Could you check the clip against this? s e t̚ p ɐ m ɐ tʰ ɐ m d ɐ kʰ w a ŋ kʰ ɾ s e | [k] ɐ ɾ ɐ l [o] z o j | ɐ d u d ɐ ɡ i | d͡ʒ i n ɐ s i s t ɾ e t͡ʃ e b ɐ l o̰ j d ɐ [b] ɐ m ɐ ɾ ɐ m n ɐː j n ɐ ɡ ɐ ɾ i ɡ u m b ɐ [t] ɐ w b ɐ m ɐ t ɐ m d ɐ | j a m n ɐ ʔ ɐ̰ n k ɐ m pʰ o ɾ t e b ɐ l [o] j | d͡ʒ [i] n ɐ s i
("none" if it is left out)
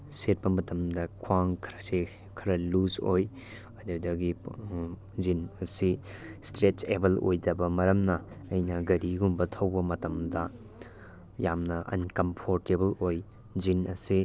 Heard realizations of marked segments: kʰ, u, b, tʰ, o, i

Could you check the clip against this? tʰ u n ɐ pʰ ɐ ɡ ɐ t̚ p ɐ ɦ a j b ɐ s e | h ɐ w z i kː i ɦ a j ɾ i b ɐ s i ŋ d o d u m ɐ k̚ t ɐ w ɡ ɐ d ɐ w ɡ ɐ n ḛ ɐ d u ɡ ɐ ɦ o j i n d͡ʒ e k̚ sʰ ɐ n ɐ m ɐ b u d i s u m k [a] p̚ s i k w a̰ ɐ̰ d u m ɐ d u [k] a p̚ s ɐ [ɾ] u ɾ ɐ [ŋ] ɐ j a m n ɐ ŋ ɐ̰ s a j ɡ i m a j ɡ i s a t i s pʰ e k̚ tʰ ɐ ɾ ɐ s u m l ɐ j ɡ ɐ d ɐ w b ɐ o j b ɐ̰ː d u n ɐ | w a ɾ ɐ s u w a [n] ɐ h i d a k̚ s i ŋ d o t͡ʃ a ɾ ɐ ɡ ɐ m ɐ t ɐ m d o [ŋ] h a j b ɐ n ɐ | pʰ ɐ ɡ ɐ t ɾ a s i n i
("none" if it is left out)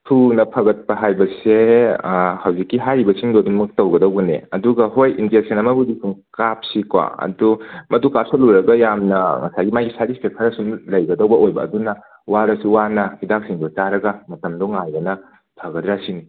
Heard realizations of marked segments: a, k, l, ɡ, n, ŋ

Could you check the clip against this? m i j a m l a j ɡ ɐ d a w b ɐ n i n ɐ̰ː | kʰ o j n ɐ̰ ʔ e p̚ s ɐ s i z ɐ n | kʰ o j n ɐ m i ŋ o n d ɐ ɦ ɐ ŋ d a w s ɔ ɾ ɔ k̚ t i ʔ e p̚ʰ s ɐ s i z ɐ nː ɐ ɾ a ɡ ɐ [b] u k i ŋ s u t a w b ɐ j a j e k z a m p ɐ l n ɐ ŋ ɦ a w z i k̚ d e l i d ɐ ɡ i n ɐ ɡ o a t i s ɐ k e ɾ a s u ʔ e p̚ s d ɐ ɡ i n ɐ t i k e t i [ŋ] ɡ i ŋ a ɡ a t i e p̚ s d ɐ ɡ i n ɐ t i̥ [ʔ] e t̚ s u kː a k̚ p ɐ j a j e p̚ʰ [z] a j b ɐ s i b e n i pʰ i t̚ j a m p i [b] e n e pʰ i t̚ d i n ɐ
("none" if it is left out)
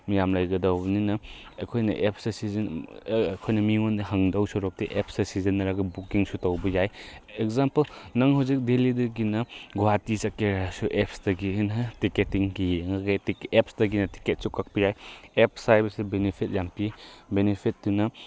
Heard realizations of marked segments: b, ŋ, k, s, b

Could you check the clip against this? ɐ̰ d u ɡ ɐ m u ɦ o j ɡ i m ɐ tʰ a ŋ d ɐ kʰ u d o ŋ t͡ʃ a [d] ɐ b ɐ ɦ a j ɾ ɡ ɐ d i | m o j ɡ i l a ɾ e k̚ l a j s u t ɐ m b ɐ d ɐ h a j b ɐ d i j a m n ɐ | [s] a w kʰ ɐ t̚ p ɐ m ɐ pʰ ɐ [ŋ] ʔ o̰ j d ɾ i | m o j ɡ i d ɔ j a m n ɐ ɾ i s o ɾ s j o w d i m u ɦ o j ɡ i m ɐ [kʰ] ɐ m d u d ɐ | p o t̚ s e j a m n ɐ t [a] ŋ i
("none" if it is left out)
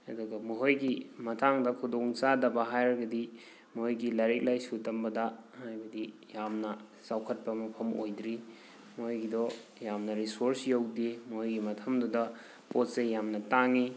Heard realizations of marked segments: d, s, m, tʰ, a

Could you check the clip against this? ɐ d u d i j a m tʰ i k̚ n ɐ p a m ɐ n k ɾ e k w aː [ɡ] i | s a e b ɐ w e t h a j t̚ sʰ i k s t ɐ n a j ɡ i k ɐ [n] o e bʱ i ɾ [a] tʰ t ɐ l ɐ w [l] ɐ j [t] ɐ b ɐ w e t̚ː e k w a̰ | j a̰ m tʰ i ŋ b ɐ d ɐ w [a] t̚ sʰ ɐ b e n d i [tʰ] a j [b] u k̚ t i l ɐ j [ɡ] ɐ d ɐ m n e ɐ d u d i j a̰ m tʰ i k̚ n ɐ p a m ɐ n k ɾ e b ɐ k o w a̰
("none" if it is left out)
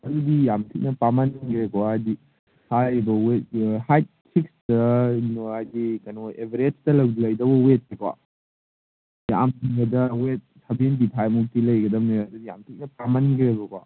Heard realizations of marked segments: d, n, e, l, d, e, tʰ, m, ɡ

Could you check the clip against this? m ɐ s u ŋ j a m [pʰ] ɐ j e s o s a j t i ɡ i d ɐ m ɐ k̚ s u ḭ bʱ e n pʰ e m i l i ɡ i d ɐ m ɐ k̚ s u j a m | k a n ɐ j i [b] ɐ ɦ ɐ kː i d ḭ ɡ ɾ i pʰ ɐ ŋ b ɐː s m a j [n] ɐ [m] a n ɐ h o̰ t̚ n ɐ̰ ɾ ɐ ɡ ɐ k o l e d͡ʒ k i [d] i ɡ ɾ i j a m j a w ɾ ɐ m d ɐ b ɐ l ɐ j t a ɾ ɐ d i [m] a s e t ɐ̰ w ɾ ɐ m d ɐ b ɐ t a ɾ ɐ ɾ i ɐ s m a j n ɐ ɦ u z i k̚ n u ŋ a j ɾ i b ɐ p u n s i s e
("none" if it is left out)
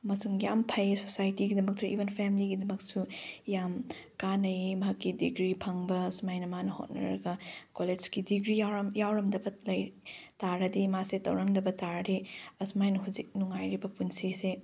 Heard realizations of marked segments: pʰ, m, n, m, d, m

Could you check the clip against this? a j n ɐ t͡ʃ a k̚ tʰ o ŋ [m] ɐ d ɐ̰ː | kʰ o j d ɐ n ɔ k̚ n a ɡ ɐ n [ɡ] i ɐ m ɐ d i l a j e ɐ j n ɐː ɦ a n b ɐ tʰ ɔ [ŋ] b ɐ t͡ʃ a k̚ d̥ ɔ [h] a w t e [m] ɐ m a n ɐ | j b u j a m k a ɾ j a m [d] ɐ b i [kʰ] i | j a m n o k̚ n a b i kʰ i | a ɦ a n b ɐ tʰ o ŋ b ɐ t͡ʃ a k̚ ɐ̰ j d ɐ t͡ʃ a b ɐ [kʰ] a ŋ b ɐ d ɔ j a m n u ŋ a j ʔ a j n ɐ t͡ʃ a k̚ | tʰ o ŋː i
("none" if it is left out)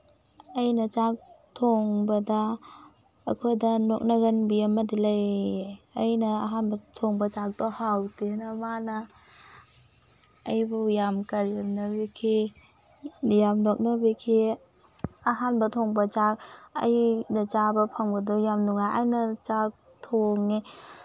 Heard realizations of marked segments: b, b, ŋ, h, n, n, kʰ, pʰ

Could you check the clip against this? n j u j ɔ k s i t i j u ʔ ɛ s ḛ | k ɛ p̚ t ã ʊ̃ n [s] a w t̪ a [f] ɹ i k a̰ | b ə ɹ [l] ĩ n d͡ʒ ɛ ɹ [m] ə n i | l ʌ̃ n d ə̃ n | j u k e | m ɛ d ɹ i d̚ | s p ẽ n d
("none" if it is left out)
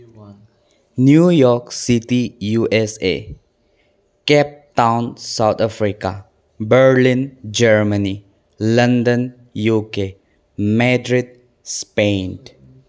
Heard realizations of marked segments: s, f, l, m

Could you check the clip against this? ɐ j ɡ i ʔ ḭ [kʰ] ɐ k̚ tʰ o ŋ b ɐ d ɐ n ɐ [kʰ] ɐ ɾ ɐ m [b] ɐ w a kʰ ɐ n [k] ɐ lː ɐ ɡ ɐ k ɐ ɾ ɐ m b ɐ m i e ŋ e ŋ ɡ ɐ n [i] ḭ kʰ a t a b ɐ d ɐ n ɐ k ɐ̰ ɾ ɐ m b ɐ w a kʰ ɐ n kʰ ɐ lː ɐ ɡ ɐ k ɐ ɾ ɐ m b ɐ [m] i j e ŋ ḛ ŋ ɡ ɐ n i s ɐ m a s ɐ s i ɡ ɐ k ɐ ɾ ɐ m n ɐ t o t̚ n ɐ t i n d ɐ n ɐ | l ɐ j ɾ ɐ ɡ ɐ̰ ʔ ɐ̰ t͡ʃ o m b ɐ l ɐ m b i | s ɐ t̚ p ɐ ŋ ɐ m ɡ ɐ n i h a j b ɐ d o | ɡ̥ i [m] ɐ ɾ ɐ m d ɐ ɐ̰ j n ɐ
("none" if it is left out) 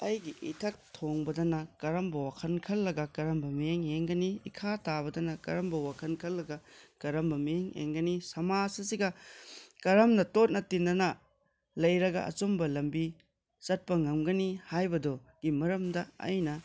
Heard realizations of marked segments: tʰ, k, b, kʰ, i, m, m

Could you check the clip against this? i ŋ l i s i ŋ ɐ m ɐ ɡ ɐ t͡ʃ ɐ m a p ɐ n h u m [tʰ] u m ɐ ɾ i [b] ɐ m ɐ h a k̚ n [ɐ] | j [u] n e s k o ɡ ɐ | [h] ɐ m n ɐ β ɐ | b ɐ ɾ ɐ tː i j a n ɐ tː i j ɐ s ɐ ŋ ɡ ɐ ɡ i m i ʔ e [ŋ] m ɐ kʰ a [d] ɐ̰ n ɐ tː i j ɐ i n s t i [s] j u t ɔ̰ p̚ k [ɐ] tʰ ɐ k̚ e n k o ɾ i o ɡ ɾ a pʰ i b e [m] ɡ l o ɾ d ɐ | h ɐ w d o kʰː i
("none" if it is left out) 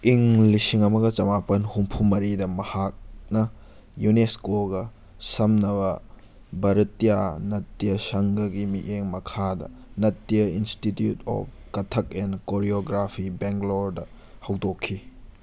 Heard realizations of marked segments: pʰ, d, ɐ, u, s, ŋ, d, t, ɐ, ŋ

